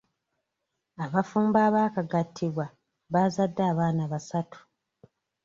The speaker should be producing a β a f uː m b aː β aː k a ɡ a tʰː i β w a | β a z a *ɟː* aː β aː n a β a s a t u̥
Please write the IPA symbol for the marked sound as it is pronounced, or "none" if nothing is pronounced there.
dː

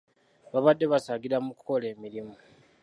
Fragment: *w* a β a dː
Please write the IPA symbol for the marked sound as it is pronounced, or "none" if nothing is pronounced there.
β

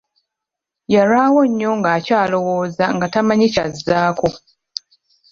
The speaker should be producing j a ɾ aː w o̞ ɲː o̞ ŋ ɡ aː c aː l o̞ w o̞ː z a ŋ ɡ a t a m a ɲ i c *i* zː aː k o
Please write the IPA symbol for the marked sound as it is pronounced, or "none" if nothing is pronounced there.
a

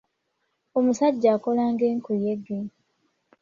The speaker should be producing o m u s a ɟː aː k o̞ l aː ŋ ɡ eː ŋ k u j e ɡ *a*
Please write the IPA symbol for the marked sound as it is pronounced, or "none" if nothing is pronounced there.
e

